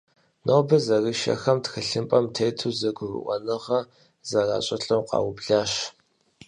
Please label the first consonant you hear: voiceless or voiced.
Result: voiced